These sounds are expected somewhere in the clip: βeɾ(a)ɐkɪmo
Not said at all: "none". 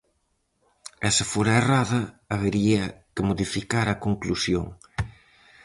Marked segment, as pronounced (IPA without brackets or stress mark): i